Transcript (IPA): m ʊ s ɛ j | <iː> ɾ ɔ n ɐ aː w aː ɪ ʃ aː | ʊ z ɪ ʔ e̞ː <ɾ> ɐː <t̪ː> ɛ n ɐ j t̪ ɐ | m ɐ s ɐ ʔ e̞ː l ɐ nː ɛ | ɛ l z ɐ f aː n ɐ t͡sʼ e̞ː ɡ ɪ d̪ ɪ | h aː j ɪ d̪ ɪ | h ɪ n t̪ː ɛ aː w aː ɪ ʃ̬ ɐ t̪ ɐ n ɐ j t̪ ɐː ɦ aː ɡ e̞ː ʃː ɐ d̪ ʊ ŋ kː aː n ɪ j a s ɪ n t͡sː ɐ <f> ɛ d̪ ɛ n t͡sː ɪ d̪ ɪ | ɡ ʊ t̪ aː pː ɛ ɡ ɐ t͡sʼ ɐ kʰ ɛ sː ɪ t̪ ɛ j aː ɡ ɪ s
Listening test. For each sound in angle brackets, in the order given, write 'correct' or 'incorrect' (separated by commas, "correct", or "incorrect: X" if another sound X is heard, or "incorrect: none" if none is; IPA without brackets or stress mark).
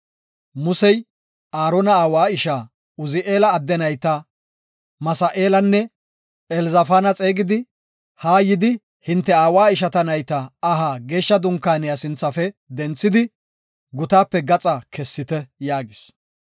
incorrect: aː, incorrect: l, incorrect: d̪ː, correct